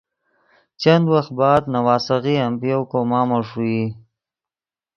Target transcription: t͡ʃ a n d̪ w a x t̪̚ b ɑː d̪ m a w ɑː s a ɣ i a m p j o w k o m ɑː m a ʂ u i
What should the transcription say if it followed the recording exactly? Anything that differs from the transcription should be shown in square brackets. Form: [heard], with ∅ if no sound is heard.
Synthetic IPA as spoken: t͡ʃ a n d̪ w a x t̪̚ b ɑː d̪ [n] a w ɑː s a ɣ i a m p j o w k o m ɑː m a ʂ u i